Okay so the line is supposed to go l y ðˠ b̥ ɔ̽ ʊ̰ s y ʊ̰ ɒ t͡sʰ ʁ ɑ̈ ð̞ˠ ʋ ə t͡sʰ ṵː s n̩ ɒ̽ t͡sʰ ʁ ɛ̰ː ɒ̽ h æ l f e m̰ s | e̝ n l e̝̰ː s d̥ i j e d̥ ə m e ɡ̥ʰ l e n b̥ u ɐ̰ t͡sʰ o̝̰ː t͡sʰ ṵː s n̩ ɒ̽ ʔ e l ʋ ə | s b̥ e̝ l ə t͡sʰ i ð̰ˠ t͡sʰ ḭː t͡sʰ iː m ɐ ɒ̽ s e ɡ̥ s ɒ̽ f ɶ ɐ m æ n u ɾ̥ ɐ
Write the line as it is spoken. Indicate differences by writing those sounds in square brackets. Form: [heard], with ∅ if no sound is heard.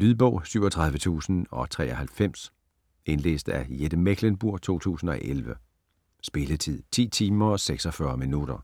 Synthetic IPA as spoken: l y ðˠ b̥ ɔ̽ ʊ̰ s y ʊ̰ ɒ t͡sʰ ʁ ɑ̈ ð̞ˠ ʋ ə t͡sʰ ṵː s n̩ ɒ̽ t͡sʰ ʁ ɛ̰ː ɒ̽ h æ l f e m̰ s | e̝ n l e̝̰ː s d̥ [æ] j e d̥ ə m e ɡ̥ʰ l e n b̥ u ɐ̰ t͡sʰ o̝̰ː t͡sʰ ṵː s n̩ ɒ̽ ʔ e l ʋ ə | s b̥ e̝ l ə t͡sʰ i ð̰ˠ t͡sʰ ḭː t͡sʰ iː m ɐ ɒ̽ s e ɡ̥ s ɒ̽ f ɶ ɐ m [i] n u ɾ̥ ɐ